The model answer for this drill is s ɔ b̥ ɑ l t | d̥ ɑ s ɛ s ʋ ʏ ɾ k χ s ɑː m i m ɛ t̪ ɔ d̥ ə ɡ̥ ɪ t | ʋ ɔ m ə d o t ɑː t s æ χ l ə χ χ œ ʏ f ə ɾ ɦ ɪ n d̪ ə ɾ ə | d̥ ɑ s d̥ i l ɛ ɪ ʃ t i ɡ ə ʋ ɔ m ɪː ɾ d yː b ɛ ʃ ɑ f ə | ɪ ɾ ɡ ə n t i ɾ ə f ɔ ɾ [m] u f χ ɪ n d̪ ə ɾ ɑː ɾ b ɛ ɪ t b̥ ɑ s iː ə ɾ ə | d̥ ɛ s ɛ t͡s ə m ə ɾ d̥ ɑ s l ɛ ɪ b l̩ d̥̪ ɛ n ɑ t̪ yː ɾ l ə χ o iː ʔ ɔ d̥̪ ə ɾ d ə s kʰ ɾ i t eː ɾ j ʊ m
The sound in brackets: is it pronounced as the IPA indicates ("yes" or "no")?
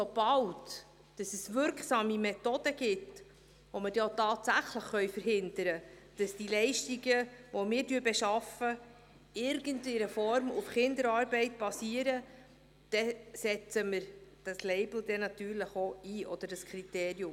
yes